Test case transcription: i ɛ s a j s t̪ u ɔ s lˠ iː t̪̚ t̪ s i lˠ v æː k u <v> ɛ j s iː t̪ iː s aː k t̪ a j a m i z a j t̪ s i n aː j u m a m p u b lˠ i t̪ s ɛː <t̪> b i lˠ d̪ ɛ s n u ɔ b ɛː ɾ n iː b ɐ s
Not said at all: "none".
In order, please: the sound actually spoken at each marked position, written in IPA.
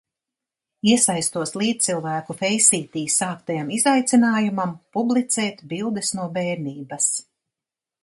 f, t̪

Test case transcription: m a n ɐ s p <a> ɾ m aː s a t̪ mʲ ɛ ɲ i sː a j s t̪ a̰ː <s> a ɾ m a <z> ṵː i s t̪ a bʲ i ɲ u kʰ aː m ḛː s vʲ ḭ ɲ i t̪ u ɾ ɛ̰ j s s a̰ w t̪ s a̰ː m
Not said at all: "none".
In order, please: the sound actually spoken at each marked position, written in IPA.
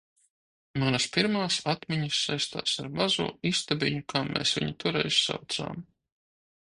i, s, z

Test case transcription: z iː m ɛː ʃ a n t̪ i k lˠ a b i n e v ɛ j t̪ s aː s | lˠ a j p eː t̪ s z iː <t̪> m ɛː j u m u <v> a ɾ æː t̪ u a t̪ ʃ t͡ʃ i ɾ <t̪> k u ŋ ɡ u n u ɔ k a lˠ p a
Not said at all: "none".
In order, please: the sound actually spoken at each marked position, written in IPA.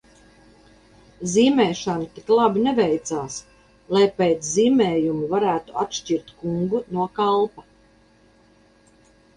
none, v, t̪

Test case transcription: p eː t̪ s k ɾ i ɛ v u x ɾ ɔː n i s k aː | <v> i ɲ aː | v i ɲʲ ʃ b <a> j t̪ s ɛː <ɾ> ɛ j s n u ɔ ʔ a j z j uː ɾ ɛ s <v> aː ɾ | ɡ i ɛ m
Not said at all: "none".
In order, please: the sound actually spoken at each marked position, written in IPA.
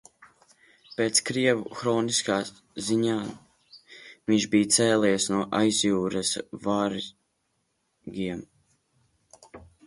z, i, l, v

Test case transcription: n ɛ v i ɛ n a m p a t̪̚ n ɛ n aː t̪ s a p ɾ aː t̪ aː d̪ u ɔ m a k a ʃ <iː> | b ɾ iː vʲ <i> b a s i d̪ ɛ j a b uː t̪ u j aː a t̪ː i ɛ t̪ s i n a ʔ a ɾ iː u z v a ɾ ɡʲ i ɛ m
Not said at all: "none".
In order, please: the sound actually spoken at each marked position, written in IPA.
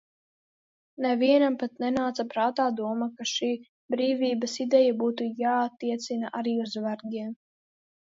iː, iː

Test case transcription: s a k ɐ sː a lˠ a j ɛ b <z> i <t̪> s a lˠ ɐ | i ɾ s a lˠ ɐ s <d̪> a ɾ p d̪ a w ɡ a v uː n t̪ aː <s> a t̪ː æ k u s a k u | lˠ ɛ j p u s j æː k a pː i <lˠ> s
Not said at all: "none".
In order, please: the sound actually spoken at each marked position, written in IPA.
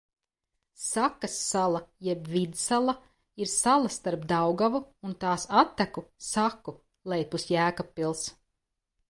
v, d̪, t̪, s, lˠ

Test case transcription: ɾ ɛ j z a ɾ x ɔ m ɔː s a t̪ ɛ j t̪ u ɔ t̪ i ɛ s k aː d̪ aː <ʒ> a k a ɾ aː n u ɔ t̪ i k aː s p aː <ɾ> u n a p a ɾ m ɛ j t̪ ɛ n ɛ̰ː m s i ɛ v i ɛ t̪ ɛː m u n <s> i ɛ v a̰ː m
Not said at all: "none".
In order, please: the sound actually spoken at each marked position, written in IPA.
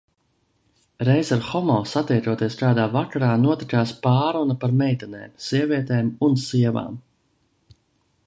v, ɾ, s

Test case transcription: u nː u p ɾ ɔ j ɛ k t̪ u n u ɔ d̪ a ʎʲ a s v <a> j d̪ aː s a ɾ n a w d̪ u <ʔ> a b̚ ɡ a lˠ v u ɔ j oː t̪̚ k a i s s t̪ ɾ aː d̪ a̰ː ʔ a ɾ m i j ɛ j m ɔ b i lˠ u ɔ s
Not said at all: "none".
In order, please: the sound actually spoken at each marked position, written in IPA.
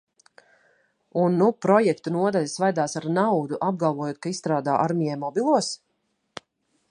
a, ʔ

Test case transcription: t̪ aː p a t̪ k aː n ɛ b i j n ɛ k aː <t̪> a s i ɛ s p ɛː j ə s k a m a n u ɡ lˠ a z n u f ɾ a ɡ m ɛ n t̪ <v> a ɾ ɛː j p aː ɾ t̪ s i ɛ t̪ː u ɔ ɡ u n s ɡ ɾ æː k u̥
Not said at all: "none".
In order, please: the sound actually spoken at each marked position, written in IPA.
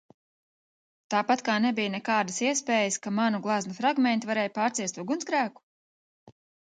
d̪, v

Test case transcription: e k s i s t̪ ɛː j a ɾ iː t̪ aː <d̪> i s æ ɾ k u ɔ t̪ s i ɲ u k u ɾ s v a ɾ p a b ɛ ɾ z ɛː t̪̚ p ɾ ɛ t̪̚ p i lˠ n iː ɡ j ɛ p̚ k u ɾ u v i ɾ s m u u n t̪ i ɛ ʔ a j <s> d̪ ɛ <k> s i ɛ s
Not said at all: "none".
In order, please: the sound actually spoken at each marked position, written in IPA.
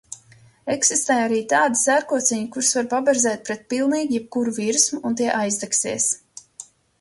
d̪, z, k

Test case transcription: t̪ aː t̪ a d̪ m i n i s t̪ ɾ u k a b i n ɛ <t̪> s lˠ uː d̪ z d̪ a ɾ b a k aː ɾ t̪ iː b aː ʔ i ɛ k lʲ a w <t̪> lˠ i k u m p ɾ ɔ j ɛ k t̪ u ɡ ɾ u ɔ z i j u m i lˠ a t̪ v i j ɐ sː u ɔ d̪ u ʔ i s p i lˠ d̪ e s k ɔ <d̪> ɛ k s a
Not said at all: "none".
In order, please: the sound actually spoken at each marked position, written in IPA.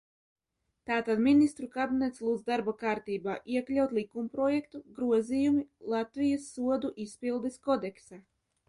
t̪, t̪, d̪

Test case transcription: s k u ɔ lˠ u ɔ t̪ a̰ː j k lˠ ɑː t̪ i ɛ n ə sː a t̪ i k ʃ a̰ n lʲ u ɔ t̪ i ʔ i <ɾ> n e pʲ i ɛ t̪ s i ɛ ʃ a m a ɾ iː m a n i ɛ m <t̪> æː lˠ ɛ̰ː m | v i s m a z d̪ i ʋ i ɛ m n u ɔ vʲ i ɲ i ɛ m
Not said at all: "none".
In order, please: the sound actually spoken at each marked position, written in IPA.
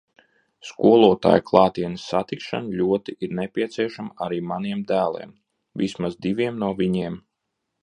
ɾ, d̪

